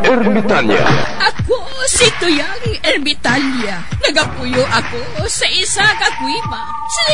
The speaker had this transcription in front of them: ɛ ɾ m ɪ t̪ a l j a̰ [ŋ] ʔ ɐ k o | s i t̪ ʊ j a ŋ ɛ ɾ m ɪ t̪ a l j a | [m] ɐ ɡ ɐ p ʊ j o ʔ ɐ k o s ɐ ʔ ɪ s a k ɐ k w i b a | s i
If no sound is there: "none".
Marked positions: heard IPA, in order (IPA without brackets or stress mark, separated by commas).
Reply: none, n